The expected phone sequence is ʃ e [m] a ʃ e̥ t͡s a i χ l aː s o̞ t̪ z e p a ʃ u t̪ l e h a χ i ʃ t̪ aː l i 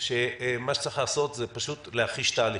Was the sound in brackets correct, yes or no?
yes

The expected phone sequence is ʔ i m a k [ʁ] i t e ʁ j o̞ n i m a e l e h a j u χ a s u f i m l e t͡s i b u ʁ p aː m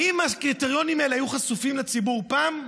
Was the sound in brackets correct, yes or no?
yes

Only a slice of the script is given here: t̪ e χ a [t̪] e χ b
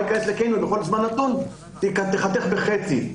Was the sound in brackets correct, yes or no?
yes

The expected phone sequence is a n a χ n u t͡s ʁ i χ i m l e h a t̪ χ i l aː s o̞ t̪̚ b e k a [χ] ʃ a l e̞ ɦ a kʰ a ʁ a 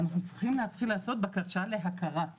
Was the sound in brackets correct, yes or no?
no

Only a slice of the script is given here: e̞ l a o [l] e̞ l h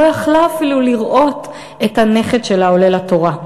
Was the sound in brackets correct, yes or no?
yes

